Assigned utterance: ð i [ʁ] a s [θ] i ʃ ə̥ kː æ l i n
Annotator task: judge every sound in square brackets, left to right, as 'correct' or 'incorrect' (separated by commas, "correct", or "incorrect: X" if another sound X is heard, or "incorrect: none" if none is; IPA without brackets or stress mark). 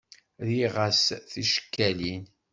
correct, correct